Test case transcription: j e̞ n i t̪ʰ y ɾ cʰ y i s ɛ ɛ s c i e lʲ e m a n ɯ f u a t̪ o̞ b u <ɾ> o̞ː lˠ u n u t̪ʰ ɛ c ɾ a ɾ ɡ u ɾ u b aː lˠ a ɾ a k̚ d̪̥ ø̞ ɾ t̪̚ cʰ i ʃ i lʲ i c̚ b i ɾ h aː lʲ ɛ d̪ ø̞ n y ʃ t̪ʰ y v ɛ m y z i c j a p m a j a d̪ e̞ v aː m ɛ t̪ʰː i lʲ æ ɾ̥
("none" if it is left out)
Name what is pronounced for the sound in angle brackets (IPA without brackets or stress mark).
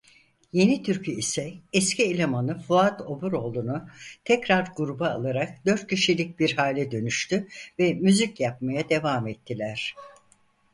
ɾ